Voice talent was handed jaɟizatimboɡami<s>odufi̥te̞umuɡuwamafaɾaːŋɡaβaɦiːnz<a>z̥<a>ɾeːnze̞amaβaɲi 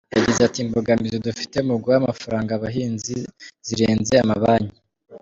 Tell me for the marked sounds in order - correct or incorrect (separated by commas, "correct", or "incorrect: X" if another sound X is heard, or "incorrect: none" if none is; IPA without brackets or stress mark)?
incorrect: z, incorrect: i, incorrect: i